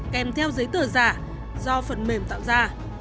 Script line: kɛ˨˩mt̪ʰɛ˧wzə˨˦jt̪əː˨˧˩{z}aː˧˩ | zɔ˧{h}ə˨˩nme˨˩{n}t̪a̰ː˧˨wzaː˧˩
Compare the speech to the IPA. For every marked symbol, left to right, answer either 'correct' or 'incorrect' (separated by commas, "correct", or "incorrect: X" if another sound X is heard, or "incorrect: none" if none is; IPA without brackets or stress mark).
correct, incorrect: f, incorrect: m